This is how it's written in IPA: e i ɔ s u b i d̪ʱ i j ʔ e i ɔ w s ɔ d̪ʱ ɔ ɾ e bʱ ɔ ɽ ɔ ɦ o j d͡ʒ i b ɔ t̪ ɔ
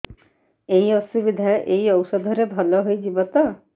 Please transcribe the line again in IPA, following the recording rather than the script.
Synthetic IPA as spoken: e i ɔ s u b i d̪ʱ a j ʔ e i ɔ w s ɔ d̪ʱ ɔ ɾ e bʱ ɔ l ɔ ɦ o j d͡ʒ i b ɔ t̪ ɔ